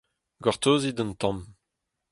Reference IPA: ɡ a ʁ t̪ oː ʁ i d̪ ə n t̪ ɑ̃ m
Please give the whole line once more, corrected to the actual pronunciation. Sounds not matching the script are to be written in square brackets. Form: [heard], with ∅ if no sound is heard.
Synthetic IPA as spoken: ɡ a ʁ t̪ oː [z] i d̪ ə n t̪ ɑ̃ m